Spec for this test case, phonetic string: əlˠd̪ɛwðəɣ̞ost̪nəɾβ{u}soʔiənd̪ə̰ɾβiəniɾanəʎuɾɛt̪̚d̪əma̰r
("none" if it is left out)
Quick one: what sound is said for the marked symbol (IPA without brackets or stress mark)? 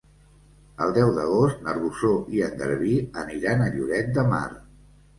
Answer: u